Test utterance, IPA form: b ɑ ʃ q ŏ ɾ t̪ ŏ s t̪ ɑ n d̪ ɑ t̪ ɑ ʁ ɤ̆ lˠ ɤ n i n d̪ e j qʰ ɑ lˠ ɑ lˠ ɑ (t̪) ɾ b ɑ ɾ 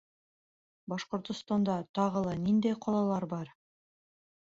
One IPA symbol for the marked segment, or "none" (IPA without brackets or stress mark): none